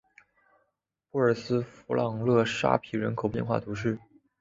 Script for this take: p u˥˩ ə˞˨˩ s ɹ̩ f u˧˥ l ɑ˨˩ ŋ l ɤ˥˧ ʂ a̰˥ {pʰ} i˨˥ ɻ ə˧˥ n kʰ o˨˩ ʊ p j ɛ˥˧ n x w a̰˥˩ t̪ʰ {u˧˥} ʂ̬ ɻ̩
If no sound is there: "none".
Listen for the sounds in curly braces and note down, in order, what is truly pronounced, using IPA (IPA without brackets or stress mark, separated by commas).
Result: pʰ, u˧˥